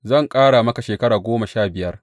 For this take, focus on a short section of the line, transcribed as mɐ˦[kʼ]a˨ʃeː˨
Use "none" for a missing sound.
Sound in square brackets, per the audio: k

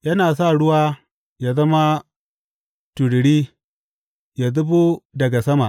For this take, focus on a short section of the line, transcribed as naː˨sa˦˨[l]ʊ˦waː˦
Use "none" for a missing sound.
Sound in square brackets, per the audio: ɽ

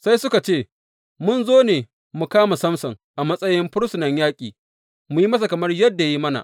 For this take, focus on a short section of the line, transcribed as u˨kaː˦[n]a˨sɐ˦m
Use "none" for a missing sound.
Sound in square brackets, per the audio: m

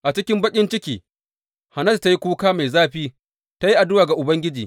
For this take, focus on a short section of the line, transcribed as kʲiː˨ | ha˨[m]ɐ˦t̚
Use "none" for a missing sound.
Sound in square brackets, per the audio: n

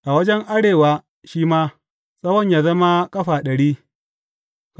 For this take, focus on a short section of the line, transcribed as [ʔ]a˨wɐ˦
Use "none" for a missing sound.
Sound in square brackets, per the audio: ʔ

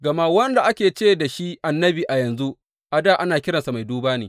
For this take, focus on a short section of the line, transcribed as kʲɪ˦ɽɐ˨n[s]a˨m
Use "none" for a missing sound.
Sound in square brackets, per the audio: s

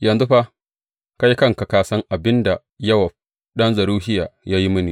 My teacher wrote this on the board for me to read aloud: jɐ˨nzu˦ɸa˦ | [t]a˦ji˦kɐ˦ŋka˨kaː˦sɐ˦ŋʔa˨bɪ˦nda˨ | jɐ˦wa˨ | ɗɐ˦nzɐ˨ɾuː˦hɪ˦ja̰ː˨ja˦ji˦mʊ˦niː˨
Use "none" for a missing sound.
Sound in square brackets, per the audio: k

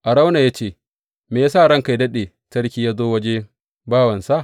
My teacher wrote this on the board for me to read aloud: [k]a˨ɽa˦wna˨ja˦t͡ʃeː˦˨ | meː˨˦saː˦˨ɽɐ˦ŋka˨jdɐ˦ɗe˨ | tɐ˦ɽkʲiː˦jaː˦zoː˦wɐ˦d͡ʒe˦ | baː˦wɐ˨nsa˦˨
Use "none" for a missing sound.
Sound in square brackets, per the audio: ʔ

